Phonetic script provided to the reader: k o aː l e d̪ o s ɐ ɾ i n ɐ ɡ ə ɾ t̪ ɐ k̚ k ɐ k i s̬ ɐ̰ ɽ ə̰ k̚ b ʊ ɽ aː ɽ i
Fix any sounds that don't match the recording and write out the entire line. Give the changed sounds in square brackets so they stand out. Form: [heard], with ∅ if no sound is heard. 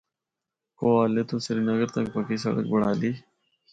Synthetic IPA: k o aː l e [t̪] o s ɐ ɾ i n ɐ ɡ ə ɾ t̪ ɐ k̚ [p] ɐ k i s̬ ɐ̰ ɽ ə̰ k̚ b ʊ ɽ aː [l] i